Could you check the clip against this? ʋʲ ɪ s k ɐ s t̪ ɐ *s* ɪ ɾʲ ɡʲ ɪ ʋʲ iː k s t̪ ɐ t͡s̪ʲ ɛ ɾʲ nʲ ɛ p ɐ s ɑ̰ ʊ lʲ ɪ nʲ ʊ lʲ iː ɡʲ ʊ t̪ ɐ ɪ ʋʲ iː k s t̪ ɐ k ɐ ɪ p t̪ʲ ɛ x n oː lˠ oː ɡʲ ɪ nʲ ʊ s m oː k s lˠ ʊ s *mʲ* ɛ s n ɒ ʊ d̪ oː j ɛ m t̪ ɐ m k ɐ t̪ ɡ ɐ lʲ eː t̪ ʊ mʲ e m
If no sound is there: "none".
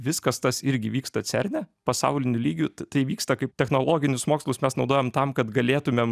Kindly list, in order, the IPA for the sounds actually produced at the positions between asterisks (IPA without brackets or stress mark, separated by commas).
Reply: s, mʲ